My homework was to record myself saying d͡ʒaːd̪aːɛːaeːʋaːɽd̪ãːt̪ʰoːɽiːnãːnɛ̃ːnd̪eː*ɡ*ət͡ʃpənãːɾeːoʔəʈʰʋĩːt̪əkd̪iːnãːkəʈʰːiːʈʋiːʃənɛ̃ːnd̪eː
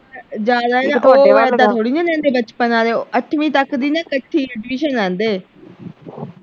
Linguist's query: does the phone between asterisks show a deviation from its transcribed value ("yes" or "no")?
yes